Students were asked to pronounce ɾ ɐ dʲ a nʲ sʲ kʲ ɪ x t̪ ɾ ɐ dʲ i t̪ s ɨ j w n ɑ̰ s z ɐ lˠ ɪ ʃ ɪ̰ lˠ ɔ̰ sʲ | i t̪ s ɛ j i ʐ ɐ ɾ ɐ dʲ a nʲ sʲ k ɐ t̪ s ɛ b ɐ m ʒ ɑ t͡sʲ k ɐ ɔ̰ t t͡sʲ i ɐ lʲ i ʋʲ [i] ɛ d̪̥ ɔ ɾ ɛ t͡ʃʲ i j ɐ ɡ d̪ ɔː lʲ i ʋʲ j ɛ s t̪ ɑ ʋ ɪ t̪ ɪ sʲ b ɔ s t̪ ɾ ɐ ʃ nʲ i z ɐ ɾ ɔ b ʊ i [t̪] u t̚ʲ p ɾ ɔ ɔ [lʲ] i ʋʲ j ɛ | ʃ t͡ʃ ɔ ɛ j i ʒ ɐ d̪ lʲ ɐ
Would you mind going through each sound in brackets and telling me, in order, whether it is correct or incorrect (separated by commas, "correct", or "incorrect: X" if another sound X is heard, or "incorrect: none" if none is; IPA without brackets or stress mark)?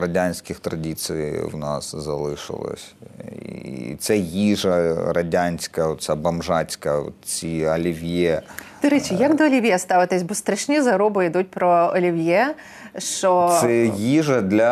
incorrect: j, incorrect: d̪, correct